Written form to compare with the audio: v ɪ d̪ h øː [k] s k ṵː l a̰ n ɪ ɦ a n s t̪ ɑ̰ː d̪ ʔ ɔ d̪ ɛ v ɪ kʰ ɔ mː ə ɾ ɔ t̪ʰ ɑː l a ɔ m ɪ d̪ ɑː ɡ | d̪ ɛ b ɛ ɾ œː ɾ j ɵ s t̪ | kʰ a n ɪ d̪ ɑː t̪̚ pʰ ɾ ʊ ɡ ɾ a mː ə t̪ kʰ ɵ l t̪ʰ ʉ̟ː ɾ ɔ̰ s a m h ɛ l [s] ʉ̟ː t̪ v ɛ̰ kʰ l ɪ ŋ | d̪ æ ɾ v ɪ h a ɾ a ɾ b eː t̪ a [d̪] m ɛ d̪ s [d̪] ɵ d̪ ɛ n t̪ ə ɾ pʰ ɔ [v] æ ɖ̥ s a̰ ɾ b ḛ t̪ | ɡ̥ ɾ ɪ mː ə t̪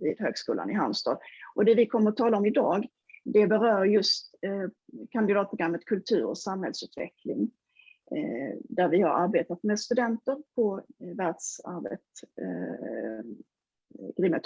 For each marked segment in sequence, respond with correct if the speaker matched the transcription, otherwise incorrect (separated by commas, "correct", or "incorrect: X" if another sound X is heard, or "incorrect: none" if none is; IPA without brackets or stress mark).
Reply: incorrect: ɡ, correct, incorrect: t̪, incorrect: t̪, correct